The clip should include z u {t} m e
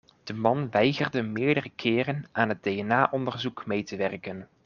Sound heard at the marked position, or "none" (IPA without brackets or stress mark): k